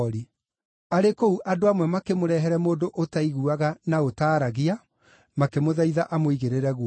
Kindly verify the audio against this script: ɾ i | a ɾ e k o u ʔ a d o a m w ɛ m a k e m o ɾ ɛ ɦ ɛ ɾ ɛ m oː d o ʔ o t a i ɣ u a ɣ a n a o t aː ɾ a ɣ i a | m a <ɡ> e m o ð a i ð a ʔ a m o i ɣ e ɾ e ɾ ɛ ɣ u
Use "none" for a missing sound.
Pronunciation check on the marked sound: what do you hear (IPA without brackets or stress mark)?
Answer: k